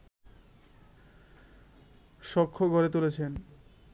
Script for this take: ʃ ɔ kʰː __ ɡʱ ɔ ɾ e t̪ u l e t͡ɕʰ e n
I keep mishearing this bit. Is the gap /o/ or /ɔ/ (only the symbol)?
o